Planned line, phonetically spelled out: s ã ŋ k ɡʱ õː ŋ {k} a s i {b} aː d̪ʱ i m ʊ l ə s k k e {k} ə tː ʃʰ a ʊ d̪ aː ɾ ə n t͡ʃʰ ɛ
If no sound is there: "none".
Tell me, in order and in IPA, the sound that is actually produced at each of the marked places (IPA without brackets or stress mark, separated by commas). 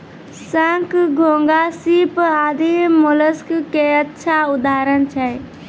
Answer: ɡ, p, none